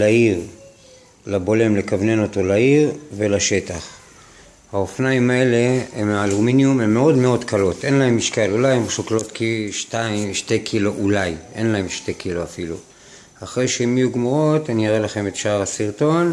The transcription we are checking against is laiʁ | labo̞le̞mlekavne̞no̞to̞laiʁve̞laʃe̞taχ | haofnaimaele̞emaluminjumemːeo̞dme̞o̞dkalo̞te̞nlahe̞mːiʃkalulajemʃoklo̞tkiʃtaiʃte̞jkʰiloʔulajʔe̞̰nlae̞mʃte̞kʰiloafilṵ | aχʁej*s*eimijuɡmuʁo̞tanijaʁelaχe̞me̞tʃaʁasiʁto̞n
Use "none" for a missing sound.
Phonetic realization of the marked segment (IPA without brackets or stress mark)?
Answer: ʃ